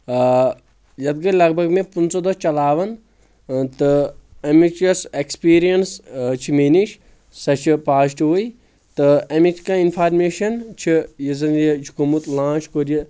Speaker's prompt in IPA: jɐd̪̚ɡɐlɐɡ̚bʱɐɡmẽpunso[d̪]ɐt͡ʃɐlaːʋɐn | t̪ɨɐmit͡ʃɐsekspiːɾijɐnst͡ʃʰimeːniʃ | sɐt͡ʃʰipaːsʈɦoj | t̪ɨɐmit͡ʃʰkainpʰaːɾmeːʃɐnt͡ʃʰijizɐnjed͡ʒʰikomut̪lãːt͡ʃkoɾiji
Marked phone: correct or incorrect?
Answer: correct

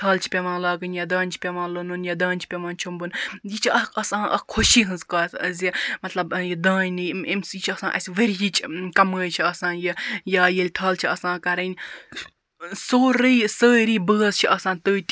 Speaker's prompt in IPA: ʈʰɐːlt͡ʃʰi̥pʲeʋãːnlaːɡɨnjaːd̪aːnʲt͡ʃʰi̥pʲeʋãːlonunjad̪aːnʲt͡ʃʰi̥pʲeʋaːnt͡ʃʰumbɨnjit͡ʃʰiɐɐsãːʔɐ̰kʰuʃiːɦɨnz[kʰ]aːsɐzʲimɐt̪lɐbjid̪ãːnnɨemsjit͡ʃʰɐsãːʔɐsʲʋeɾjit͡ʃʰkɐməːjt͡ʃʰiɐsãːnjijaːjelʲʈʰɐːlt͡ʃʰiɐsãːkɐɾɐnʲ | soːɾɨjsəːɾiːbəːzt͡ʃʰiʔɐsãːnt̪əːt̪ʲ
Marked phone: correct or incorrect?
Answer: incorrect: k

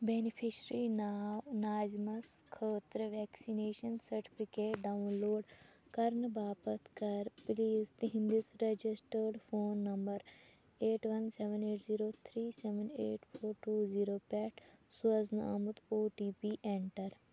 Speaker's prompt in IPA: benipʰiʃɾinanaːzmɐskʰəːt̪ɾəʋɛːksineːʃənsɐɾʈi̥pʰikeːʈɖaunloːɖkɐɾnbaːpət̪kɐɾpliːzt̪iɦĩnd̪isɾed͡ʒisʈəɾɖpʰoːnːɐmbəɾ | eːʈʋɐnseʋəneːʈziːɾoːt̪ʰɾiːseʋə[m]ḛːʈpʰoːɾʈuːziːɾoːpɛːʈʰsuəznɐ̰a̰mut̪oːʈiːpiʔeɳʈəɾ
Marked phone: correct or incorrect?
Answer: incorrect: n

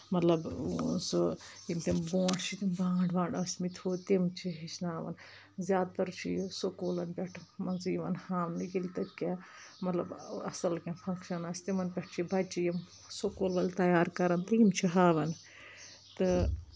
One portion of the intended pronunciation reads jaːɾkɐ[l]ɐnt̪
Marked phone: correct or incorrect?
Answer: incorrect: ɾ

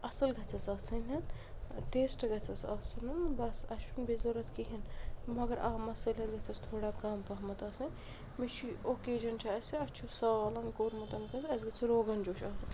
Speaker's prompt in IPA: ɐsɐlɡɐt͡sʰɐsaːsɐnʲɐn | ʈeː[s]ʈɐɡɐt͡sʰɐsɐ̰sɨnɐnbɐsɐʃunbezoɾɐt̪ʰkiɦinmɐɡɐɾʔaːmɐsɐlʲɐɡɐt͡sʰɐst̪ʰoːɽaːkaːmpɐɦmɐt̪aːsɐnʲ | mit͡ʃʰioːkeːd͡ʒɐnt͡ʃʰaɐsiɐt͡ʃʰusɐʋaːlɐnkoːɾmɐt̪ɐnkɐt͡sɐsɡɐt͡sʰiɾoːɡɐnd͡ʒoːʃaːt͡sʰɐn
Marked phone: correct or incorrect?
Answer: correct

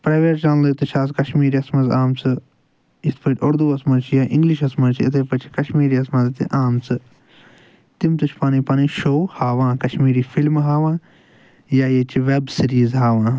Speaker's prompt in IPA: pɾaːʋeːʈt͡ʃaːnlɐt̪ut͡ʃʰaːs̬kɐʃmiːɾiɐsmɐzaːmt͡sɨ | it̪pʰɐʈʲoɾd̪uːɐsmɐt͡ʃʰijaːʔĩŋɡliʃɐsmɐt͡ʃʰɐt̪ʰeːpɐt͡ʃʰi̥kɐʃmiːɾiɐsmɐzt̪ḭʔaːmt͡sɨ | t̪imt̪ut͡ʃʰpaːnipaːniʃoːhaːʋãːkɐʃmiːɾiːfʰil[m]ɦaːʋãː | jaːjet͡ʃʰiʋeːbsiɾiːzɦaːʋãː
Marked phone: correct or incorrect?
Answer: correct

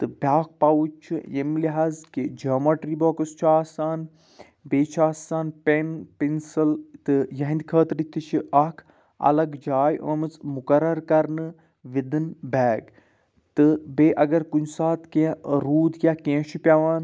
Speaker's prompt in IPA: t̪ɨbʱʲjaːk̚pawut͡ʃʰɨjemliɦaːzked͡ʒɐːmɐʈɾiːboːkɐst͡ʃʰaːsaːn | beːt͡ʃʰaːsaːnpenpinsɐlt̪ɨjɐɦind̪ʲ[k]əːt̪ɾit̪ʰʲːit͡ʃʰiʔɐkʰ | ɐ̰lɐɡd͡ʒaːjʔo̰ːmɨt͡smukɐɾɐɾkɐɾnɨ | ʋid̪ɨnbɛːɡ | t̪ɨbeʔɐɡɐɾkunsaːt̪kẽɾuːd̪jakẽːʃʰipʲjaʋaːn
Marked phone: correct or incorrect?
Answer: incorrect: kʰ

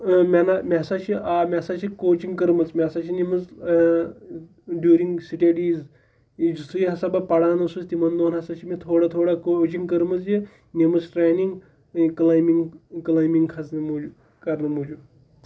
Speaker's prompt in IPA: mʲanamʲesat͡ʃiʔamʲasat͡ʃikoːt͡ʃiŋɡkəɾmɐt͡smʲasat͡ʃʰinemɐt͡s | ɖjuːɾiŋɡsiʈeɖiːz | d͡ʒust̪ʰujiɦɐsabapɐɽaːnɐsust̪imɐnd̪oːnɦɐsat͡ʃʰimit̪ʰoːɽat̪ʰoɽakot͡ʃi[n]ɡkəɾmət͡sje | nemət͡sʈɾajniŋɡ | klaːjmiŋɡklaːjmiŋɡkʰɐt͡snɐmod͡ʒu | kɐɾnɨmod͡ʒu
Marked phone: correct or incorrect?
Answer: incorrect: ŋ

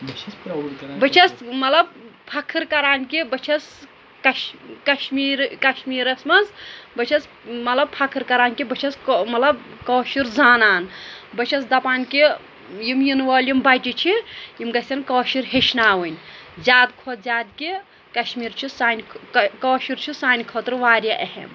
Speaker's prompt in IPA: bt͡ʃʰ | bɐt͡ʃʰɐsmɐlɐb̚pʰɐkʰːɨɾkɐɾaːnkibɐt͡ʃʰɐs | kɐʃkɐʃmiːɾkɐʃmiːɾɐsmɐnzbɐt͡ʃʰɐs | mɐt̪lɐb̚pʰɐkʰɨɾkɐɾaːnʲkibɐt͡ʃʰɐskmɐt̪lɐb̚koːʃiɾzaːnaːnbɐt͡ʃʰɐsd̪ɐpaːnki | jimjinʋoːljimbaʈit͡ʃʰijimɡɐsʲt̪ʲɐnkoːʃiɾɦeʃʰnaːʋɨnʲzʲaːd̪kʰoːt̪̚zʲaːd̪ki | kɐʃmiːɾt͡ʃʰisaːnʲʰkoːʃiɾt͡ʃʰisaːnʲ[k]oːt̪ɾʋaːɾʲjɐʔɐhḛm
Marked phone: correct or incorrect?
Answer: incorrect: kʰ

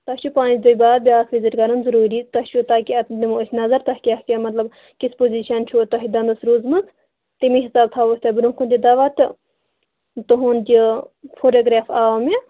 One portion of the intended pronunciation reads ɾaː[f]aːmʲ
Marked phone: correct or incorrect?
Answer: correct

